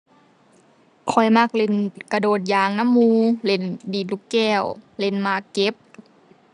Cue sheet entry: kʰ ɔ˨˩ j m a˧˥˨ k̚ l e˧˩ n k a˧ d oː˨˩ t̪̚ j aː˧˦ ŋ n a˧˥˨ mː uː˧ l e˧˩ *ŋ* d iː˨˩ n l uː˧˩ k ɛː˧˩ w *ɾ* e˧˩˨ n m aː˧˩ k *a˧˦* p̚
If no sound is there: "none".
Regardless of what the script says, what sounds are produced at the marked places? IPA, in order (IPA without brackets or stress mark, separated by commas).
n, l, e˧˦